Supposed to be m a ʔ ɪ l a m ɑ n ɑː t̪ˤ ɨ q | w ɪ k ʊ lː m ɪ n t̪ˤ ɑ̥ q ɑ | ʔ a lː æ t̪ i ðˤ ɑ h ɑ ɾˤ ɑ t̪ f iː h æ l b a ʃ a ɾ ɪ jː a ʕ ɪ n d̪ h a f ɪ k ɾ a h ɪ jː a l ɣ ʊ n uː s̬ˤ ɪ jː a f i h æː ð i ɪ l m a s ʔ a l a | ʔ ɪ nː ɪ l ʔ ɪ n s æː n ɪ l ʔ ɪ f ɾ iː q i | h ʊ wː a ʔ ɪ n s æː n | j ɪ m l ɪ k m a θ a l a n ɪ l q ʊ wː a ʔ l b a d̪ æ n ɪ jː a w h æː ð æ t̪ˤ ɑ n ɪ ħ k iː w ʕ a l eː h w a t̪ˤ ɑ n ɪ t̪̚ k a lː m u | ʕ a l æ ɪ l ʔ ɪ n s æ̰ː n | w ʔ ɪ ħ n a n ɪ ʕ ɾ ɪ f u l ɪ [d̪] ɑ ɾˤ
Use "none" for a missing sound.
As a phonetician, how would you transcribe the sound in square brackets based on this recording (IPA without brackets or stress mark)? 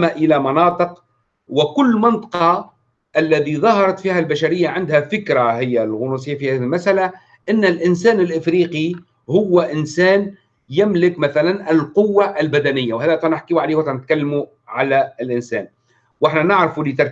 t̪